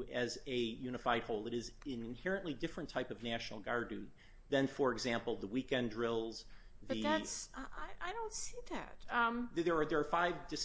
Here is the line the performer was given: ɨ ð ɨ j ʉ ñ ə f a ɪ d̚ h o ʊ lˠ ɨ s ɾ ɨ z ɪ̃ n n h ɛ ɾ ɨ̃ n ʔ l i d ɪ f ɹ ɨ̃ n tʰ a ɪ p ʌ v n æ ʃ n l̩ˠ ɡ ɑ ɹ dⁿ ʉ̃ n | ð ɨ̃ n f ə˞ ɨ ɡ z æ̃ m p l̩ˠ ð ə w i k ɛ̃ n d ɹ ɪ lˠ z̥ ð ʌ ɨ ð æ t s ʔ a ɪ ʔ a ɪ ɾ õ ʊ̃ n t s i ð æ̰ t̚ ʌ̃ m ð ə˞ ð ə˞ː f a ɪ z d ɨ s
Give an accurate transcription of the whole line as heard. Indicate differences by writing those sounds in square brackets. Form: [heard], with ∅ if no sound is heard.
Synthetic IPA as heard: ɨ [z] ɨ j ʉ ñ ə f a ɪ d̚ h o ʊ lˠ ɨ [∅] ɾ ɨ z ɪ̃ n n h ɛ [ɹ] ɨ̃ n ʔ l i d ɪ f ɹ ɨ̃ n tʰ a ɪ p ʌ v n æ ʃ n l̩ˠ ɡ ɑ ɹ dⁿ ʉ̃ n | ð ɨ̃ n f ə˞ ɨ ɡ z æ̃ m p l̩ˠ ð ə w i k ɛ̃ n d ɹ ɪ lˠ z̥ ð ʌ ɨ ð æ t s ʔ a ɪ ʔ a ɪ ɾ õ ʊ̃ n t s i ð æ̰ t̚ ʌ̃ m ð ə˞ ð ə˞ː f a ɪ [v] d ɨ s